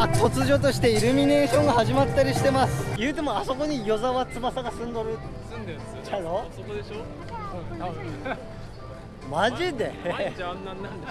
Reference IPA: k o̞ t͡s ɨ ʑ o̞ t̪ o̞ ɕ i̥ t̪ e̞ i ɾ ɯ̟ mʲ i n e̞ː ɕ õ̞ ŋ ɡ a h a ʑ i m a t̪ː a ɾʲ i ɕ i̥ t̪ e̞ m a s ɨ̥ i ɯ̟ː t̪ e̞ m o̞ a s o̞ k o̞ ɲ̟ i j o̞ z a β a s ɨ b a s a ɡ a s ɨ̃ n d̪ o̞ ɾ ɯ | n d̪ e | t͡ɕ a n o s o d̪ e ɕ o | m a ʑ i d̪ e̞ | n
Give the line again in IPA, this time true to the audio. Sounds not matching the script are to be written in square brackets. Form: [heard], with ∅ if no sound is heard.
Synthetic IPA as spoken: k o̞ t͡s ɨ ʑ o̞ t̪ o̞ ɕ i̥ t̪ e̞ i ɾ ɯ̟ mʲ i n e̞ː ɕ õ̞ ŋ ɡ a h a ʑ i m a t̪ː a ɾʲ i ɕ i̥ t̪ e̞ m a s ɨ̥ [j] ɯ̟ː t̪ e̞ m o̞ a s o̞ k o̞ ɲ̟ i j o̞ z a β a [t͡s] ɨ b a s a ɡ a s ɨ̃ n d̪ o̞ ɾ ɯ | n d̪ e | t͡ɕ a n o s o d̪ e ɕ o | m a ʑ i d̪ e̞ | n